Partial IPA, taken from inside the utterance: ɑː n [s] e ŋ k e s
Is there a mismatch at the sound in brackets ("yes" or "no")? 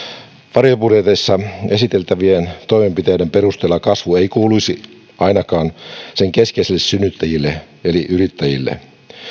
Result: no